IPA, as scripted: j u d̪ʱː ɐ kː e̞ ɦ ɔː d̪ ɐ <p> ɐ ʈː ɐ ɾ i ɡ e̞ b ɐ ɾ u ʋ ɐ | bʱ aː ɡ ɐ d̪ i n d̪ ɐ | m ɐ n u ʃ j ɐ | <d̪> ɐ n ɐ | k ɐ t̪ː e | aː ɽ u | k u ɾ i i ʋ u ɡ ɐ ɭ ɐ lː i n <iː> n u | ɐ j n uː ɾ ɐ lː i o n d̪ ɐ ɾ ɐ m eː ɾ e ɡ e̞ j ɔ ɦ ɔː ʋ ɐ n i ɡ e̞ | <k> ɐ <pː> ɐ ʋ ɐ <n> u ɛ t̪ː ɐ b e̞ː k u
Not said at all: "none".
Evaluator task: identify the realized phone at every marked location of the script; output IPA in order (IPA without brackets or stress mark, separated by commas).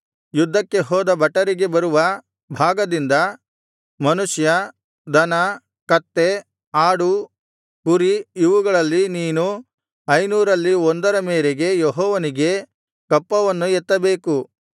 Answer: b, d̪, iː, k, pː, nː